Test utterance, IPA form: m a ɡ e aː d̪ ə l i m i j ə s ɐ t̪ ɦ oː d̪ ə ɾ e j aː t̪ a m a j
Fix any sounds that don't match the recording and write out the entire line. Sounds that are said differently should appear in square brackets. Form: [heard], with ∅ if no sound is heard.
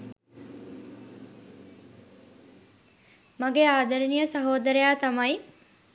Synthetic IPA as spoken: m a ɡ e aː d̪ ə [ɾ] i [n] i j ə s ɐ [∅] ɦ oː d̪ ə ɾ e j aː t̪ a m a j